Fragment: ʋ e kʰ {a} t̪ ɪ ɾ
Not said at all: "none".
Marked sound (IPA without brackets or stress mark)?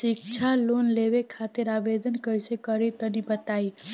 a